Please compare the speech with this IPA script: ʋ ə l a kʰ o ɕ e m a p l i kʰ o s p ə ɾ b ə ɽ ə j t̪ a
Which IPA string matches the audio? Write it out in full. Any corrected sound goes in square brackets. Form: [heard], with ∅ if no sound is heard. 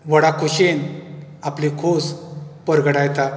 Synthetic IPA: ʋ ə [ɽ] a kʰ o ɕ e [n] a p l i kʰ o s p ə ɾ [ɡ] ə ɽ [a] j t̪ a